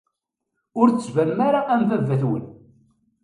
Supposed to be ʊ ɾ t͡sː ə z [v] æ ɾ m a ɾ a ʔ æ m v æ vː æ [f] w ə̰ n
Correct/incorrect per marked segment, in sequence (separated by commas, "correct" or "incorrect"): correct, incorrect